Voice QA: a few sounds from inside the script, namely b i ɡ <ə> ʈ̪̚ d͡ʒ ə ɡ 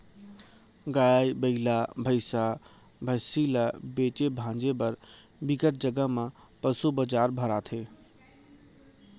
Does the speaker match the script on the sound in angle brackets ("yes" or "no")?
yes